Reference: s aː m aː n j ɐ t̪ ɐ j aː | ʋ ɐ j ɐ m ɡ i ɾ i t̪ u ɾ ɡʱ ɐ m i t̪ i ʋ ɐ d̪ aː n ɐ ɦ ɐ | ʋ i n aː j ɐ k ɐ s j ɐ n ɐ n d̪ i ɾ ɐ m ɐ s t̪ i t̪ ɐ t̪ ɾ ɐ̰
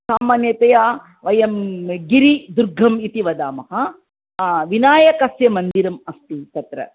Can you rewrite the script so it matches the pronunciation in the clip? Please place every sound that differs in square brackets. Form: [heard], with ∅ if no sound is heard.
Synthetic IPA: s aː m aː n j ɐ t̪ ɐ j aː | ʋ ɐ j ɐ m ɡ i ɾ i [d̪] u ɾ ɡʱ ɐ m i t̪ i ʋ ɐ d̪ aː [m] ɐ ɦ ɐ | ʋ i n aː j ɐ k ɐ s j ɐ [m] ɐ n d̪ i ɾ ɐ m ɐ s t̪ i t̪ ɐ t̪ ɾ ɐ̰

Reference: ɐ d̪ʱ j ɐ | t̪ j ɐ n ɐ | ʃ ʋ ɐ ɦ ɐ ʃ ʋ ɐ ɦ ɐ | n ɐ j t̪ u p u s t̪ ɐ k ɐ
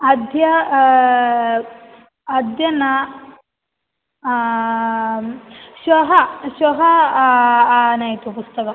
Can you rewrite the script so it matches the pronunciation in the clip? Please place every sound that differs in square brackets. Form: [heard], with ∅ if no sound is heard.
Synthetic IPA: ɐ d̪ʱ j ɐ | [d̪] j ɐ n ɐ | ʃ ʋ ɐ ɦ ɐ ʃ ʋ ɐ ɦ ɐ | n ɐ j t̪ u p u s t̪ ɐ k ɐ

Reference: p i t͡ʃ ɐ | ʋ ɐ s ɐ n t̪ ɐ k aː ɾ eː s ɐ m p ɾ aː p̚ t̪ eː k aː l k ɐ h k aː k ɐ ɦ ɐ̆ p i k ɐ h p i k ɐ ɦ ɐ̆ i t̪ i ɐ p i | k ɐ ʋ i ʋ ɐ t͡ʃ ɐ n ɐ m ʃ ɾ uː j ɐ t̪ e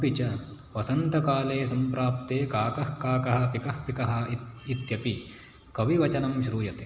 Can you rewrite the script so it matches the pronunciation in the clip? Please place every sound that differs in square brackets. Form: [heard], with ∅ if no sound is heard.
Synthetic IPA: p i t͡ʃ ɐ | ʋ ɐ s ɐ n t̪ ɐ k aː [l] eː s ɐ m p ɾ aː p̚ t̪ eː k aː [∅] k ɐ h k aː k ɐ ɦ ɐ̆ p i k ɐ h p i k ɐ ɦ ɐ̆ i t̪ [j] ɐ p i | k ɐ ʋ i ʋ ɐ t͡ʃ ɐ n ɐ m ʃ ɾ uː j ɐ t̪ e

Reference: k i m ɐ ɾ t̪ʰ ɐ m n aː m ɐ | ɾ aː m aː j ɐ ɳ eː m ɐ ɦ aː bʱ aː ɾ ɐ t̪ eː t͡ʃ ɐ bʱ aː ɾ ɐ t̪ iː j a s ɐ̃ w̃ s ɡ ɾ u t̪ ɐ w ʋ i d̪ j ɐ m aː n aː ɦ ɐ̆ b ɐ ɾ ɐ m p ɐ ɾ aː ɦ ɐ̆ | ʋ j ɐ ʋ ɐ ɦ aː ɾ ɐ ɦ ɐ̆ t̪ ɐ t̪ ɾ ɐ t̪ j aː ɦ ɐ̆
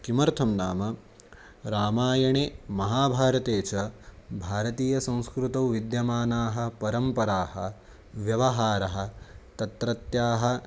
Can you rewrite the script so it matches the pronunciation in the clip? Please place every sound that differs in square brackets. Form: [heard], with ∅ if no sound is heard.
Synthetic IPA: k i m ɐ ɾ t̪ʰ ɐ m n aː m ɐ | ɾ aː m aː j ɐ ɳ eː m ɐ ɦ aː bʱ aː ɾ ɐ t̪ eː t͡ʃ ɐ bʱ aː ɾ ɐ t̪ iː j [ɐ] s ɐ̃ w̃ s [k] ɾ u t̪ ɐ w ʋ i d̪ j ɐ m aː n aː ɦ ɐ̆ [p] ɐ ɾ ɐ m p ɐ ɾ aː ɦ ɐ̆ | ʋ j ɐ ʋ ɐ ɦ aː ɾ ɐ ɦ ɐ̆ t̪ ɐ t̪ ɾ ɐ t̪ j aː ɦ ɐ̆

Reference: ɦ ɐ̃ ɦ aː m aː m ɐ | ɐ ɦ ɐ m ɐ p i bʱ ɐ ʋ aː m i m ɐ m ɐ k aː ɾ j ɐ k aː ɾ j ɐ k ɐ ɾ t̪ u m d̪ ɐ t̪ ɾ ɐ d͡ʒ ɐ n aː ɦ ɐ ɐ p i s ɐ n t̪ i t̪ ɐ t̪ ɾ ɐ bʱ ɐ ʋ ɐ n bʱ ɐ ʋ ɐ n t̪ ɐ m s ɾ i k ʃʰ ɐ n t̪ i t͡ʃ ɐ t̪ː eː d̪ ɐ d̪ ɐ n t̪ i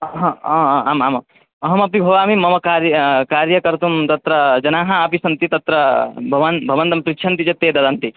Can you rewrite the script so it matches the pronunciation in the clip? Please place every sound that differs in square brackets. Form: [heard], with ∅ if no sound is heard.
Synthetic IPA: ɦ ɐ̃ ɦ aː m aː m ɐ | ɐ ɦ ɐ m ɐ p i bʱ ɐ ʋ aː m i m ɐ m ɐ k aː ɾ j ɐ k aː ɾ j ɐ k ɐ ɾ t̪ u m [t̪] ɐ t̪ ɾ ɐ d͡ʒ ɐ n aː ɦ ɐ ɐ p i s ɐ n t̪ i t̪ ɐ t̪ ɾ ɐ bʱ ɐ ʋ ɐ n bʱ ɐ ʋ ɐ n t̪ ɐ m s ɾ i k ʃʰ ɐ n t̪ i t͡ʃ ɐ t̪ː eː d̪ ɐ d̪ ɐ n t̪ i

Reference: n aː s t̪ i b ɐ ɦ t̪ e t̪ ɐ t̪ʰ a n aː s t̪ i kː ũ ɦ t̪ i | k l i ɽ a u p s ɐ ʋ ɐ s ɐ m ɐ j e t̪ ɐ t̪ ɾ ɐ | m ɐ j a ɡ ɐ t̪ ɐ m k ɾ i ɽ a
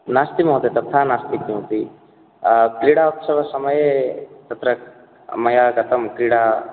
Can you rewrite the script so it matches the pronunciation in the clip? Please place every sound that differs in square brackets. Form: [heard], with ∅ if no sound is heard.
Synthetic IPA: n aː s t̪ i [m] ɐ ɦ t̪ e t̪ ɐ t̪ʰ a n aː s t̪ i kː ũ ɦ t̪ i | k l i ɽ a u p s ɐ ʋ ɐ s ɐ m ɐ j e t̪ ɐ t̪ ɾ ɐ | m ɐ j a ɡ ɐ t̪ ɐ m k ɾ i ɽ a

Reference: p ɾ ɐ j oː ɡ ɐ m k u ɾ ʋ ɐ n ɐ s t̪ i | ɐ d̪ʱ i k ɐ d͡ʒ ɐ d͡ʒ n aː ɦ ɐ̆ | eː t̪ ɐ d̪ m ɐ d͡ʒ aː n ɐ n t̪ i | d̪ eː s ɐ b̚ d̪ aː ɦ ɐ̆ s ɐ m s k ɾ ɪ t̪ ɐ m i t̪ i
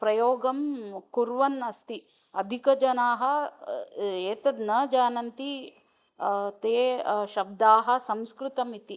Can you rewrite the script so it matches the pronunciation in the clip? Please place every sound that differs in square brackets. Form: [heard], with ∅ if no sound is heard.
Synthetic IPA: p ɾ ɐ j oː ɡ ɐ m k u ɾ ʋ ɐ n ɐ s t̪ i | ɐ d̪ʱ i k ɐ d͡ʒ ɐ [∅] n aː ɦ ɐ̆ | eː t̪ ɐ d̪ [n] ɐ d͡ʒ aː n ɐ n t̪ i | [t̪] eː [ʃ] ɐ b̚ d̪ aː ɦ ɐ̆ s ɐ m s k ɾ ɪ t̪ ɐ m i t̪ i

